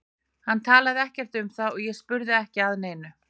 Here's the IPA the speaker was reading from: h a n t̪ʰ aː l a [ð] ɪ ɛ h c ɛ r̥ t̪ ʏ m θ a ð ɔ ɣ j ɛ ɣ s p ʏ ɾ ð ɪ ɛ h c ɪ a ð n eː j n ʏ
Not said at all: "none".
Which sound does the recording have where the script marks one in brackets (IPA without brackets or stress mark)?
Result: ð